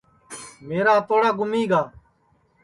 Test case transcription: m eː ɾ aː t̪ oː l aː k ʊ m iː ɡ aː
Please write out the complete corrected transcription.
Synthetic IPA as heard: m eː ɾ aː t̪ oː ɽ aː ɡ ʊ m iː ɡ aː